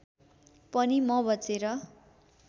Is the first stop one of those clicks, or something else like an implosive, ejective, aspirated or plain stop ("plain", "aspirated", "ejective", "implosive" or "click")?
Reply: plain